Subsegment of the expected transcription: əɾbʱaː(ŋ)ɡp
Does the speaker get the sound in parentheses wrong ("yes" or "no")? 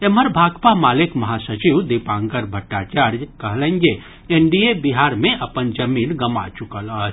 yes